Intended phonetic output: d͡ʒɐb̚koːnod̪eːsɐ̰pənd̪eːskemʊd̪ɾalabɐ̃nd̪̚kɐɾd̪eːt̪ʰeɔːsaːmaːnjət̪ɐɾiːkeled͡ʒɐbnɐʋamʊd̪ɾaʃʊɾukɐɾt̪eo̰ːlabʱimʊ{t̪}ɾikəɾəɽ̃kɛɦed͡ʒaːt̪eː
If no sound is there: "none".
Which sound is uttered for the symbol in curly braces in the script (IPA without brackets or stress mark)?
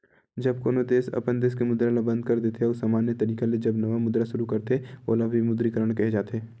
d̪